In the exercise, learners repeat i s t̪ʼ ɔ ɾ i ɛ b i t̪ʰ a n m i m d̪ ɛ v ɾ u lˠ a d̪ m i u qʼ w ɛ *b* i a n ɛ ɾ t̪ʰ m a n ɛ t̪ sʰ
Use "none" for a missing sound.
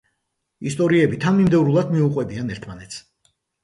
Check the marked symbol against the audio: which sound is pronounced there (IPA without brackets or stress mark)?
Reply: b